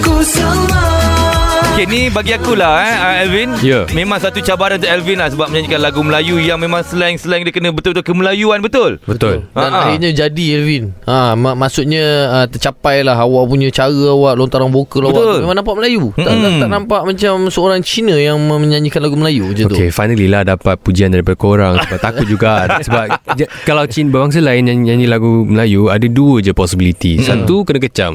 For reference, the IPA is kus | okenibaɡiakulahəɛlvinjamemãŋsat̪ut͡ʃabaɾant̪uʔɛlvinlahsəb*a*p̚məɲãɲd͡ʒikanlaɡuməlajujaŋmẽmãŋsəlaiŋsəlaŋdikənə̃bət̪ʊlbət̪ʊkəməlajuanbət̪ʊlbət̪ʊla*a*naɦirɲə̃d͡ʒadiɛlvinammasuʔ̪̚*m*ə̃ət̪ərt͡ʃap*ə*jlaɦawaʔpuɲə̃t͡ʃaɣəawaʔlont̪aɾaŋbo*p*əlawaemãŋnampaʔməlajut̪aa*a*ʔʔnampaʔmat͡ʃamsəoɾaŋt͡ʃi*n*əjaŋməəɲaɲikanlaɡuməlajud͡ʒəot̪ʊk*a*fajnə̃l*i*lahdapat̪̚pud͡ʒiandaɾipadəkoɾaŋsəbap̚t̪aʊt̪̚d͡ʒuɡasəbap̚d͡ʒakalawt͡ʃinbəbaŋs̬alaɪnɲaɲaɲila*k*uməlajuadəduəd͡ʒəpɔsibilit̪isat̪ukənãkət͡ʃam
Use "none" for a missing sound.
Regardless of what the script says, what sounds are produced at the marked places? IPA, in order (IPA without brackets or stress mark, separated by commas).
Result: a, a, ɲ, a, k, a, n, e, i, ɡ